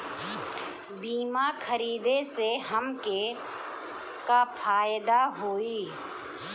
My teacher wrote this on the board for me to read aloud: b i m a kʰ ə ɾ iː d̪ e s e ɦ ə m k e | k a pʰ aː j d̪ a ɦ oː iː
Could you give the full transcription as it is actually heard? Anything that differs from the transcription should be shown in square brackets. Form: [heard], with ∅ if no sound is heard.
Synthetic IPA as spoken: b [iː] m a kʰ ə ɾ iː d̪ e s e ɦ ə m k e | k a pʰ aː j d̪ a ɦ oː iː